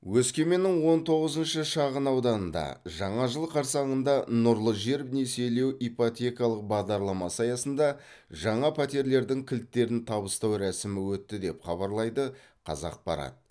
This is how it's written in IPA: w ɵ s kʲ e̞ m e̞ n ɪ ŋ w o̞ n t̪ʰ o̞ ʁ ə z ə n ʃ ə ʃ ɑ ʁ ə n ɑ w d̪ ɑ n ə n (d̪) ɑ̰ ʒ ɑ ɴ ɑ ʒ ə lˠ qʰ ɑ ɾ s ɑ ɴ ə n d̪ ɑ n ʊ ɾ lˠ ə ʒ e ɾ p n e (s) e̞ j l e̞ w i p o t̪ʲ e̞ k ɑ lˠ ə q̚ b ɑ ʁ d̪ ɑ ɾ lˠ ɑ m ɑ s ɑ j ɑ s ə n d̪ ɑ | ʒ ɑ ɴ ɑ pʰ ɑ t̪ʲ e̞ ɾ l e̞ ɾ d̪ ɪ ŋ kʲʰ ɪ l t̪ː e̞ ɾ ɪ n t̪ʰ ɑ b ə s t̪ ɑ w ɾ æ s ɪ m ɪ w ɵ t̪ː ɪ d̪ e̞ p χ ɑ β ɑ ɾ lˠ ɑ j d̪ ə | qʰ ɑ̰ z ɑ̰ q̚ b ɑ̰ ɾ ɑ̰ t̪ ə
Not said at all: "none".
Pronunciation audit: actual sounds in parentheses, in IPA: d̪, s

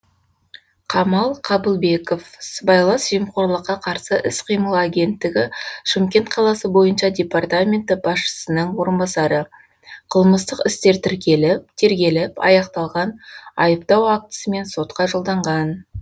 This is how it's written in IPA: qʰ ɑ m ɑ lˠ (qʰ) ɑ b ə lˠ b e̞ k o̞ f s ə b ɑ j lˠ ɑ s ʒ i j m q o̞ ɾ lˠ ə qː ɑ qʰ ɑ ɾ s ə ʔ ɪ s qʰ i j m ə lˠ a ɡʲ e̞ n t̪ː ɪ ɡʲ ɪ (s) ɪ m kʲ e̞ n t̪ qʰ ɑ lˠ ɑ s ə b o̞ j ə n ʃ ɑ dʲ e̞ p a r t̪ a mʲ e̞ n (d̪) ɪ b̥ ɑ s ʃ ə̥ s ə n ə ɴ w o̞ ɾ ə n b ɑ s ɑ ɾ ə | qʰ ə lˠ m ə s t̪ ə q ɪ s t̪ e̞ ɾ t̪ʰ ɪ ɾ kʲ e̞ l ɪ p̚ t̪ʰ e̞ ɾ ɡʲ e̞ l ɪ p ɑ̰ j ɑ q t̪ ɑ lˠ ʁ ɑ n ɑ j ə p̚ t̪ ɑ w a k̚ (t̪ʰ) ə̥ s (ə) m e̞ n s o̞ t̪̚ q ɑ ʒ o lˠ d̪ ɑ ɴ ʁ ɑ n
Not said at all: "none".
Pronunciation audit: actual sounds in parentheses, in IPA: qʰ, ʃ, t̪, t̪, ə

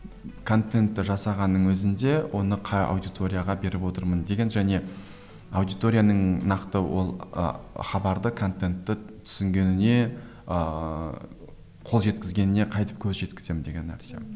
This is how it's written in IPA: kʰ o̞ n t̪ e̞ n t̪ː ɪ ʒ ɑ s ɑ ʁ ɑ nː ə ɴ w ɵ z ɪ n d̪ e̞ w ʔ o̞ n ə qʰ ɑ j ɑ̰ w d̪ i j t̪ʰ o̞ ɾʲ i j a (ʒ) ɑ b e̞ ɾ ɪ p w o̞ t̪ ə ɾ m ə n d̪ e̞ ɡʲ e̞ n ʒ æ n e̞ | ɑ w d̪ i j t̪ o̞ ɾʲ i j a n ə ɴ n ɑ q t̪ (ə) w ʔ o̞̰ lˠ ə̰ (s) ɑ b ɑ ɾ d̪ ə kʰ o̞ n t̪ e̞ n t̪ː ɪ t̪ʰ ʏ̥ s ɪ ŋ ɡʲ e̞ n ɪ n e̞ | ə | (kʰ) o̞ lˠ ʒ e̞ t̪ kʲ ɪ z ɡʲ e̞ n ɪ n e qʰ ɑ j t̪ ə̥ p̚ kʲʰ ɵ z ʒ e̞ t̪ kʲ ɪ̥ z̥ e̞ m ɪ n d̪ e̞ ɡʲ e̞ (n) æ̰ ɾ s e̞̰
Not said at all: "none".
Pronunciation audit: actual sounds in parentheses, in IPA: ʁ, ə, χ, qʰ, nː

